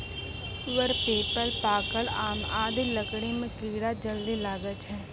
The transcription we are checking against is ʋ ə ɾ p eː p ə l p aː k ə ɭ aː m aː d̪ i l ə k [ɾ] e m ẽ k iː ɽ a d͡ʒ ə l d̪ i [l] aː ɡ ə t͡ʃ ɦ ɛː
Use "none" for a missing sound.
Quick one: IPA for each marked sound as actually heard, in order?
ɽ, l

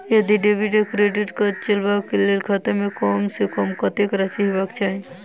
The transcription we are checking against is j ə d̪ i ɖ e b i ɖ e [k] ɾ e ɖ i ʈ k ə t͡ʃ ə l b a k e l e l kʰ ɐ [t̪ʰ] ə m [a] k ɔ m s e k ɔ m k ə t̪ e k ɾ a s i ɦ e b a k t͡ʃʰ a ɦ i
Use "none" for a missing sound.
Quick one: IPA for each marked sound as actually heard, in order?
k, t̪, e

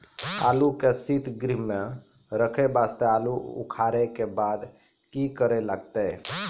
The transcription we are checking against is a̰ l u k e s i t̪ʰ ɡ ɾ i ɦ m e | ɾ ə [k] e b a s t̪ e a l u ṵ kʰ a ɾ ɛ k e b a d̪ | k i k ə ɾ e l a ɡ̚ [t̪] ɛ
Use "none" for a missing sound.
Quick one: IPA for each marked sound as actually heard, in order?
kʰ, t̪

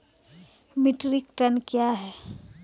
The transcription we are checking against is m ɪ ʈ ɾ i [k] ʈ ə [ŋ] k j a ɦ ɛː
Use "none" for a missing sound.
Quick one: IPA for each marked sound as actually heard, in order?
k, n

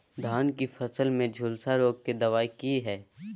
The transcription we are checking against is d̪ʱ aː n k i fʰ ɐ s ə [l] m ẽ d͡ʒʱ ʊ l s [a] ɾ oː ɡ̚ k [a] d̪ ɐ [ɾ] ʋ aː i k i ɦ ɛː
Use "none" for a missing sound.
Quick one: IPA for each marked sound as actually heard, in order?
l, a, e, none

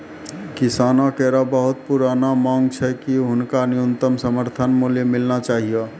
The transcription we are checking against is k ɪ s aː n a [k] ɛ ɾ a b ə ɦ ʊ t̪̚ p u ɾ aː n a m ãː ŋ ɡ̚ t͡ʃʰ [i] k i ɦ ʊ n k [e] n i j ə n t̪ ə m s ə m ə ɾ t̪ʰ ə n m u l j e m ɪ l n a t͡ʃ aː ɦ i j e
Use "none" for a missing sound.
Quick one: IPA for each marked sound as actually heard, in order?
k, ɛ, a

